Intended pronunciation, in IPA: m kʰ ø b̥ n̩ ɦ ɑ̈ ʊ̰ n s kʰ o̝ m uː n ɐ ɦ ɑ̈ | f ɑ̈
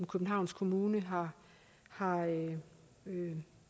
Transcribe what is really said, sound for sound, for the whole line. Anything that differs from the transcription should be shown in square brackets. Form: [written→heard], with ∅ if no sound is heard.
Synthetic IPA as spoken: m kʰ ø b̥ n̩ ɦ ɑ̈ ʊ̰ n s kʰ o̝ m uː n [ɐ→ə] ɦ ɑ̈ | [f→h] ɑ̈